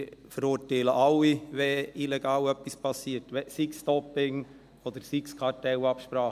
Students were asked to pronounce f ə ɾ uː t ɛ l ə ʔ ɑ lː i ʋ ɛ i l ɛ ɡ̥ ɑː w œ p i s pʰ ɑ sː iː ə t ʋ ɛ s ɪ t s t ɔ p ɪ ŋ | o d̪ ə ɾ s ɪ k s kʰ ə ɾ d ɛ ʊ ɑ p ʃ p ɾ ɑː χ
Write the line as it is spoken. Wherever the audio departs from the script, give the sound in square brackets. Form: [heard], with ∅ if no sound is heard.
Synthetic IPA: f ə ɾ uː t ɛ l ə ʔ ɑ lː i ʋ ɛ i l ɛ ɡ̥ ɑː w œ p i s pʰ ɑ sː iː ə t ʋ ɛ s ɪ [k] s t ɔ p ɪ ŋ | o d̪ ə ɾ s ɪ k s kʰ [ɑ] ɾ [t] ɛ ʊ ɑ p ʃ p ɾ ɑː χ